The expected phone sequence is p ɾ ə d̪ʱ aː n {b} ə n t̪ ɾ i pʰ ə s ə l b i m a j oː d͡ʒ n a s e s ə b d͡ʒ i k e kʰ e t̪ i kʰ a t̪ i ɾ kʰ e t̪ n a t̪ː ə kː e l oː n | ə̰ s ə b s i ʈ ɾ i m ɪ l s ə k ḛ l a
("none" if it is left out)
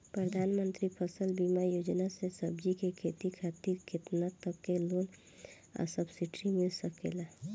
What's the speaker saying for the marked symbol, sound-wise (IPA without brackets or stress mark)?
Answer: m